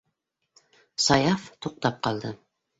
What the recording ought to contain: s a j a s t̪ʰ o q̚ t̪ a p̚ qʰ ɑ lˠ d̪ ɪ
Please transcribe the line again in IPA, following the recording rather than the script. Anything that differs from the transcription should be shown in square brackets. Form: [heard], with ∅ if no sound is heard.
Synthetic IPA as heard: s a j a [f] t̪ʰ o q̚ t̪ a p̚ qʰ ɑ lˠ d̪ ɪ